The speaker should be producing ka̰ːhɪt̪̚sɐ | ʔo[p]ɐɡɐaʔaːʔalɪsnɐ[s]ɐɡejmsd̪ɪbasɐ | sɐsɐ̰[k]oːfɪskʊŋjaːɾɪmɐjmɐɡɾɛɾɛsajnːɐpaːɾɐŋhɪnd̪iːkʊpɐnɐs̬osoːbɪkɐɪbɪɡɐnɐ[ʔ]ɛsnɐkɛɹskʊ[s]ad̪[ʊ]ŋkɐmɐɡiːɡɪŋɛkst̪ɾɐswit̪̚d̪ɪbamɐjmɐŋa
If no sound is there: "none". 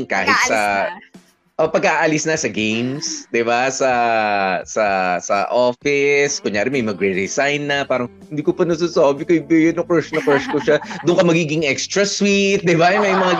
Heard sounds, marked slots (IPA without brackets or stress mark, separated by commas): p, s, ʔ, k, ʃ, ʊ